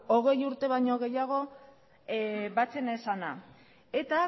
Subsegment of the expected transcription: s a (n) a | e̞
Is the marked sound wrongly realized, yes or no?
no